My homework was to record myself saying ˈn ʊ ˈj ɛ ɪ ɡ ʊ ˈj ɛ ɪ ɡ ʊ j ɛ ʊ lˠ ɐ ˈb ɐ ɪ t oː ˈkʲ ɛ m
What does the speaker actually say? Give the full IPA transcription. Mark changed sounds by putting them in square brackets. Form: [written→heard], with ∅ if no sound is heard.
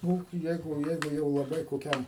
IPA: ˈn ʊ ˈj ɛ ɪ ɡ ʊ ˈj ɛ ɪ ɡ ʊ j ɛ ʊ lˠ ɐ ˈb ɐ ɪ [t→k] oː ˈkʲ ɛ m